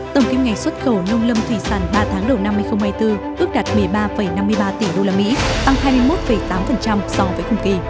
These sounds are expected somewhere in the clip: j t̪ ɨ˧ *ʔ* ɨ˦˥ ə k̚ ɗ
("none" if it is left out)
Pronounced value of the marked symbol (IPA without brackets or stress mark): ʔ